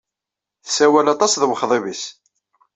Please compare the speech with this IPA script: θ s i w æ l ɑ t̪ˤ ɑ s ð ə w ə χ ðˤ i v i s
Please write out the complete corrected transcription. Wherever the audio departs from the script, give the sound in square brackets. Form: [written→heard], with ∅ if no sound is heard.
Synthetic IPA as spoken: θ s [i→æ] w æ l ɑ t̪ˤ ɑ s ð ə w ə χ ðˤ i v i s